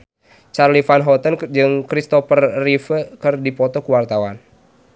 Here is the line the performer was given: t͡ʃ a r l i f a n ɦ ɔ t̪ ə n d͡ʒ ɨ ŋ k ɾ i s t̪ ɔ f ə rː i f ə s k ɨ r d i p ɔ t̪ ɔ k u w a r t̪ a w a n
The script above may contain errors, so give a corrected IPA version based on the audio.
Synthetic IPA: t͡ʃ a r l i f a n ɦ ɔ t̪ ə n d͡ʒ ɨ ŋ k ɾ i s t̪ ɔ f ə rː i f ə k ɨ r d i p ɔ t̪ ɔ k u w a r t̪ a w a n